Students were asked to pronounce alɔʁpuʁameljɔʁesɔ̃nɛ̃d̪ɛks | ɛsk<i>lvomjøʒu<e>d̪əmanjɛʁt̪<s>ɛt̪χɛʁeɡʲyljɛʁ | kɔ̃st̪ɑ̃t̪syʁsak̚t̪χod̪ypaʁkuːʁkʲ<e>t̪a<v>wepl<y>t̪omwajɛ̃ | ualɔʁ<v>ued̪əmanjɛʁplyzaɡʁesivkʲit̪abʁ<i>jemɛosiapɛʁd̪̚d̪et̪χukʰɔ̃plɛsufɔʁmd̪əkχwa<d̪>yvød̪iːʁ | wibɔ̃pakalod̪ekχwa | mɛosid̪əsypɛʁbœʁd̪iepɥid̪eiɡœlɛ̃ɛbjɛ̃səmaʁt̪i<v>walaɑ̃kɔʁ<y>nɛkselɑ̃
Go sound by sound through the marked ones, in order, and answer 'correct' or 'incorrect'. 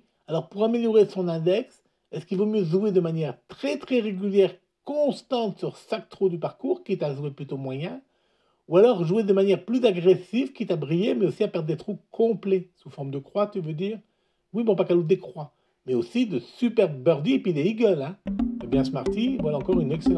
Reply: correct, correct, incorrect: χ, incorrect: i, incorrect: ʒ, correct, incorrect: ʒ, correct, incorrect: t̪, correct, correct

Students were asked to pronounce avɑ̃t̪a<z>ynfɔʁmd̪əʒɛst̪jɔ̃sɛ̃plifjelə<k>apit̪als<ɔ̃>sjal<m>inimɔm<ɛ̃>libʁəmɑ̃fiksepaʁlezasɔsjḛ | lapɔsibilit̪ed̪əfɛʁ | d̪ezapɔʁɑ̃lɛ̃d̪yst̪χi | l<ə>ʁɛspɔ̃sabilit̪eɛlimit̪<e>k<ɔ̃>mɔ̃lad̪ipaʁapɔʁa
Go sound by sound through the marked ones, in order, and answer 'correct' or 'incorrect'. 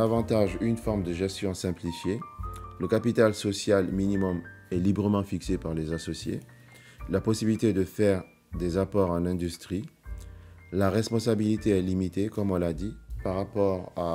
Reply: incorrect: ʒ, correct, incorrect: ɔ, correct, incorrect: ɛ, incorrect: a, correct, incorrect: ɔ

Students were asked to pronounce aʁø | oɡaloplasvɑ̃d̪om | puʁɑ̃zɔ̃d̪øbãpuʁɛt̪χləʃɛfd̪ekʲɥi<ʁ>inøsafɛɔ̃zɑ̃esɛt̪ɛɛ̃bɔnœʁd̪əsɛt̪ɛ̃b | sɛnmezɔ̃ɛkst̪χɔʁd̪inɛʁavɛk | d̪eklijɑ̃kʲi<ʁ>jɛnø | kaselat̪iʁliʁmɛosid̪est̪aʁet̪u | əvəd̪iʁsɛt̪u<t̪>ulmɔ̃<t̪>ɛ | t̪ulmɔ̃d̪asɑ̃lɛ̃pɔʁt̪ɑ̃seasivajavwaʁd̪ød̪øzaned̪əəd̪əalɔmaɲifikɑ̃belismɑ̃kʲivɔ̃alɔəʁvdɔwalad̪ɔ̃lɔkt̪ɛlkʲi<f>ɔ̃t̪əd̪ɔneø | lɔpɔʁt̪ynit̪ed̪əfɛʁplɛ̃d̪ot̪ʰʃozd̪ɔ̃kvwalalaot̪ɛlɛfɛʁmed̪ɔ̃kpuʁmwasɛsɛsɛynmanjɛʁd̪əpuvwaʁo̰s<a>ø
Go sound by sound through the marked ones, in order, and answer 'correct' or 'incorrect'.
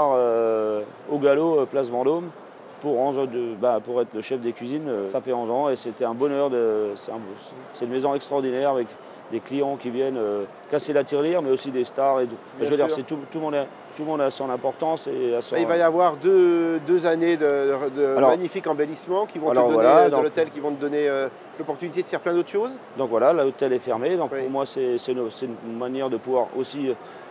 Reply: incorrect: z, incorrect: v, correct, incorrect: d̪, incorrect: v, incorrect: i

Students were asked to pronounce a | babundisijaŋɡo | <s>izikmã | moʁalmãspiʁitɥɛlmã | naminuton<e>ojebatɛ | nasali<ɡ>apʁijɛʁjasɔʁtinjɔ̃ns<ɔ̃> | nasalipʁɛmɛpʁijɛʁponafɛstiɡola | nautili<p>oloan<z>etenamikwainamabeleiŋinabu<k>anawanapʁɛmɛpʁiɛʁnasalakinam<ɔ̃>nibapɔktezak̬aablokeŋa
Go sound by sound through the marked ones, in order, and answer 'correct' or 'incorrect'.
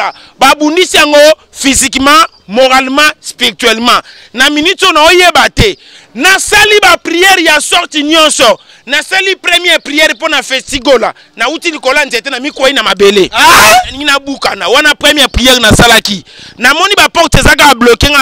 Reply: incorrect: f, incorrect: a, incorrect: b, incorrect: ɔ, incorrect: k, correct, correct, incorrect: ɔ

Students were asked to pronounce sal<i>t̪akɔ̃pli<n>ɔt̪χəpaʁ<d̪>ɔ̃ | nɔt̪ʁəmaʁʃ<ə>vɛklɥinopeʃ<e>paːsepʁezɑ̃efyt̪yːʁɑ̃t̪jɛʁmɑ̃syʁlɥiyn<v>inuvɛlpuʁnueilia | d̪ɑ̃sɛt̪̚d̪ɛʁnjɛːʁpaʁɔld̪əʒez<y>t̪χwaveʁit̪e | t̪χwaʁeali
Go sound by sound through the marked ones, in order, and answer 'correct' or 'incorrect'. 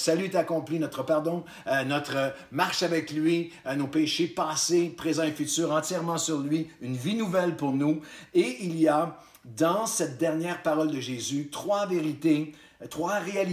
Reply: incorrect: y, correct, correct, incorrect: a, correct, correct, correct

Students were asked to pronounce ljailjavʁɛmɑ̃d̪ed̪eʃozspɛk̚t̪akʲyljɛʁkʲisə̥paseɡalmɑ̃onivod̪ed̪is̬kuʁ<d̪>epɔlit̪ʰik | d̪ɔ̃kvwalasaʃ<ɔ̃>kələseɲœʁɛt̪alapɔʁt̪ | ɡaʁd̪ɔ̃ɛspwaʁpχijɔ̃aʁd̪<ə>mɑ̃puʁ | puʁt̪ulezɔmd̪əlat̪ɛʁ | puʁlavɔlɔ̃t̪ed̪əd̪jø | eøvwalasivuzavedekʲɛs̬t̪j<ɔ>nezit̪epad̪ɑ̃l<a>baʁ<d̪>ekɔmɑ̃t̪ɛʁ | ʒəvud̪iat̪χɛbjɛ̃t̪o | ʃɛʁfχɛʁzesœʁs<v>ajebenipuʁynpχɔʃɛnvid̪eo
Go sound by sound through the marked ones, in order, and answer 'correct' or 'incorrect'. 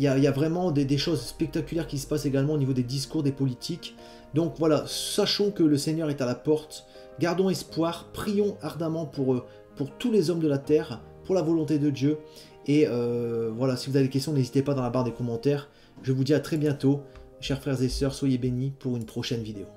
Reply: correct, correct, incorrect: a, incorrect: ɔ̃, correct, correct, incorrect: w

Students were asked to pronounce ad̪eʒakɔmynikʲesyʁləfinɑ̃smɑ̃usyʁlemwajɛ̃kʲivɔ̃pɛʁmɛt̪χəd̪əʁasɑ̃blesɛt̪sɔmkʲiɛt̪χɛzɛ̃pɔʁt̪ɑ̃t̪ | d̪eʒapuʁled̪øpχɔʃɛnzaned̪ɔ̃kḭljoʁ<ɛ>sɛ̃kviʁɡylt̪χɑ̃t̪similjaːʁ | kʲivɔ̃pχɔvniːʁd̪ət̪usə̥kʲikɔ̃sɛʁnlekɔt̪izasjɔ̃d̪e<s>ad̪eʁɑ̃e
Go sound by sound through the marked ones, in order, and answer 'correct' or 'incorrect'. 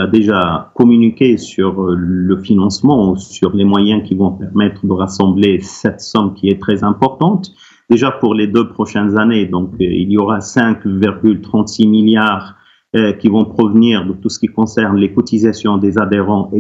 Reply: incorrect: a, incorrect: z

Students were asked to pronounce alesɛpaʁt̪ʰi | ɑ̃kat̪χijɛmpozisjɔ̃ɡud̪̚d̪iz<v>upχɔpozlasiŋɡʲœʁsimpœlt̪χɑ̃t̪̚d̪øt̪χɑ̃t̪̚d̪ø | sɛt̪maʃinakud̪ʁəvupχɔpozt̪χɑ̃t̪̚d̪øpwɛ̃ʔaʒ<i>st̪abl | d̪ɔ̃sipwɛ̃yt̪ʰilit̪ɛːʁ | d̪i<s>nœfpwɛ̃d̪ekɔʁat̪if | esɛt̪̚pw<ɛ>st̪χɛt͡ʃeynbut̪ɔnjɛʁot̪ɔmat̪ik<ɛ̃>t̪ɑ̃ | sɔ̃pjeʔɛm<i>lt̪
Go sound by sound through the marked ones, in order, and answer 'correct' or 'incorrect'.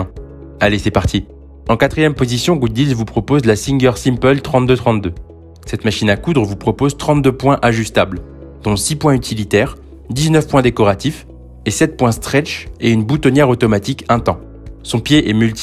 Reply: correct, incorrect: y, incorrect: z, incorrect: ɛ̃, correct, incorrect: y

